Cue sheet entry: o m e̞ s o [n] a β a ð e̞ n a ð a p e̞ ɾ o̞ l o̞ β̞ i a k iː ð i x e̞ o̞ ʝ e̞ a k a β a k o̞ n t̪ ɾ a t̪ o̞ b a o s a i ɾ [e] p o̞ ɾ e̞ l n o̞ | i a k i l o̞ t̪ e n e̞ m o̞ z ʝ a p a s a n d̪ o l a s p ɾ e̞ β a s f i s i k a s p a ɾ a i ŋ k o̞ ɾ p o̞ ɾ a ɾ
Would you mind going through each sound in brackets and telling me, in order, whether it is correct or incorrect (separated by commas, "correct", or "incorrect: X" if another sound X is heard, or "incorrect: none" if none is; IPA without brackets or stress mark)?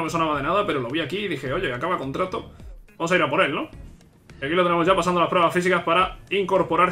correct, incorrect: a